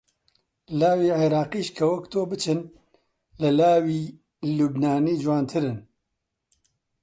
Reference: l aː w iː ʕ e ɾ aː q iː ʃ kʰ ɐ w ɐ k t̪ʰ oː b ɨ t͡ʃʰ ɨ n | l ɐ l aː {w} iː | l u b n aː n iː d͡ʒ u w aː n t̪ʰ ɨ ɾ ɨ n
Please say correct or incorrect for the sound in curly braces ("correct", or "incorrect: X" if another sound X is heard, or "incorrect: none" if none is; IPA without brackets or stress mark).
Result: correct